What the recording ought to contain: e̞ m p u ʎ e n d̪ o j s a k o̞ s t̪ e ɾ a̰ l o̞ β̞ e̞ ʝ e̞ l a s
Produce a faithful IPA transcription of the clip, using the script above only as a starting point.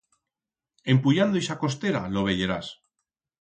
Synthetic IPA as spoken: e̞ m p u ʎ a n d̪ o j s a k o̞ s t̪ e ɾ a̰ l o̞ β̞ e̞ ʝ e̞ ɾ a s